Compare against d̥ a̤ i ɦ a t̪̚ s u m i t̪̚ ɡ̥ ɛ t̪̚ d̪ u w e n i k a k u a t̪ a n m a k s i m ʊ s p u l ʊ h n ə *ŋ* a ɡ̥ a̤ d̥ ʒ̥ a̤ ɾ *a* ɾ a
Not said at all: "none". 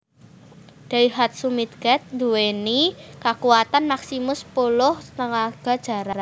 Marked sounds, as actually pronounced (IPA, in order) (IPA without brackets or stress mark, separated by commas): ŋ, a